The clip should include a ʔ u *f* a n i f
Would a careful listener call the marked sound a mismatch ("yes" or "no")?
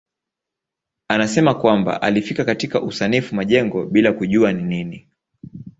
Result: yes